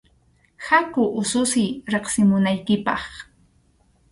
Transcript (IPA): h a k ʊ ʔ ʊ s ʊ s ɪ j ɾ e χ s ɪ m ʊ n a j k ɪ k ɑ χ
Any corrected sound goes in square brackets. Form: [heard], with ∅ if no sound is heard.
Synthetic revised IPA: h a k ʊ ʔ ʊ s ʊ s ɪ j ɾ e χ s ɪ m ʊ n a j k ɪ [p] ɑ χ

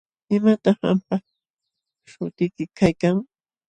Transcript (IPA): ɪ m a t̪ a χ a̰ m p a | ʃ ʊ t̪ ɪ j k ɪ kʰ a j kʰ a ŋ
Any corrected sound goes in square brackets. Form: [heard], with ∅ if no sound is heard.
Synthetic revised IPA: ɪ m a t̪ [ɑ] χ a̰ m p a | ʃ ʊ t̪ ɪ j k ɪ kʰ a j [k] a ŋ

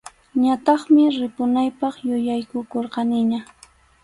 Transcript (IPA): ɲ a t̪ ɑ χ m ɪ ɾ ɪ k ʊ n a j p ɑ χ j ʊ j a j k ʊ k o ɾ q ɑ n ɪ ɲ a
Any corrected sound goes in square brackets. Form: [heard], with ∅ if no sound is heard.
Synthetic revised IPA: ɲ a t̪ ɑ χ m ɪ ɾ ɪ [p] ʊ n a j p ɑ χ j ʊ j a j k ʊ k o ɾ q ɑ n ɪ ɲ a

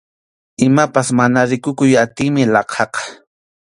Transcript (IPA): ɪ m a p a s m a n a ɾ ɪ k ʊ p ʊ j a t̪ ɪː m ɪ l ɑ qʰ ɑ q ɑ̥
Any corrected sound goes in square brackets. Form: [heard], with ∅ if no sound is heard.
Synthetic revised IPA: ɪ m a p a s m a n a ɾ ɪ k ʊ [k] ʊ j a t̪ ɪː m ɪ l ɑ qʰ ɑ q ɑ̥

